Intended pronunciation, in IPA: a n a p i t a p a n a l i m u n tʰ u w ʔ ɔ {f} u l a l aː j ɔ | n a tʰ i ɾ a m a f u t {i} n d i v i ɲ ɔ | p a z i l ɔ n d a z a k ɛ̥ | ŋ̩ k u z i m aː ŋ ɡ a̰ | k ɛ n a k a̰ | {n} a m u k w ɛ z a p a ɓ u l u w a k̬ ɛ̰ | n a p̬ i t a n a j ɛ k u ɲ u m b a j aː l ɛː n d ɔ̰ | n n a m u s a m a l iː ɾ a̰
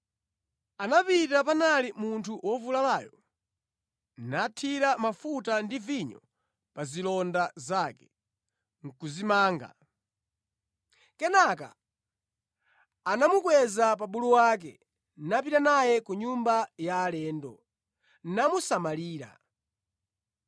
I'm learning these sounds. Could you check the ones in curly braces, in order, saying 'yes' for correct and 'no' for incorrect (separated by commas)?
no, no, yes